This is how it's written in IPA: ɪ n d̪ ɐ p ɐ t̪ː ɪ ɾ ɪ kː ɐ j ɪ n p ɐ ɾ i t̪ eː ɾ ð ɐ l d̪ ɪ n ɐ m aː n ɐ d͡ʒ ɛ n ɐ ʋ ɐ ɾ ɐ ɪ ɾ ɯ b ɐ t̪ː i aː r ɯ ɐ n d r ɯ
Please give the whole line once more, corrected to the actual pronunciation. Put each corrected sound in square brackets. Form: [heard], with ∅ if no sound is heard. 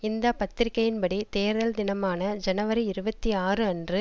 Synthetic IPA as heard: ɪ n d̪ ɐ p ɐ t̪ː ɪ ɾ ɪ kː ɐ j ɪ n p ɐ [ɽ] i t̪ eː ɾ ð ɐ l d̪ ɪ n ɐ m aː n ɐ d͡ʒ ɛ n ɐ ʋ ɐ ɾ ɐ ɪ ɾ ɯ b ɐ t̪ː i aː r ɯ ɐ n d r ɯ